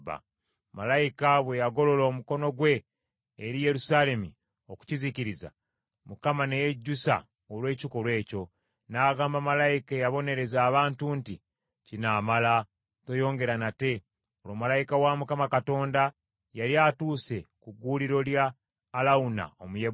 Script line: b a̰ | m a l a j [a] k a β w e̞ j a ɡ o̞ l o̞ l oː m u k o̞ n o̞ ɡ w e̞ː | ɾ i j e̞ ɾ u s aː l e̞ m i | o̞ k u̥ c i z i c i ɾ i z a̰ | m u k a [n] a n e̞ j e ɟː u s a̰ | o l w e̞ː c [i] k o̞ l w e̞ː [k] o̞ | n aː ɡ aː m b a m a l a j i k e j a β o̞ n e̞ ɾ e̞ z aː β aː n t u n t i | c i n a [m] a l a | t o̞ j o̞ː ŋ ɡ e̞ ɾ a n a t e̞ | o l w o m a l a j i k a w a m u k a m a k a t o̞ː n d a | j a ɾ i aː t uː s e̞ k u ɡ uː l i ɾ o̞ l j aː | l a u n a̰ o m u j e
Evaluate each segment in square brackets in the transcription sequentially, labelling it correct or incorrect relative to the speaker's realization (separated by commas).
incorrect, incorrect, correct, incorrect, correct